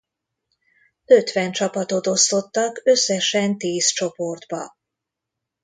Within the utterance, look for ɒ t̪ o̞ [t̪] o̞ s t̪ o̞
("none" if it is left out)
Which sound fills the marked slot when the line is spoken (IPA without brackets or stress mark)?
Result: t̪